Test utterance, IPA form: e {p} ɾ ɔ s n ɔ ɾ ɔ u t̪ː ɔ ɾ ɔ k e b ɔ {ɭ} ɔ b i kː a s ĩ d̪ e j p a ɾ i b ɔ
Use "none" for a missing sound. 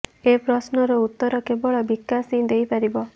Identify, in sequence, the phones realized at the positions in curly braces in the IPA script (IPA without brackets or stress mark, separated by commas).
p, ɭ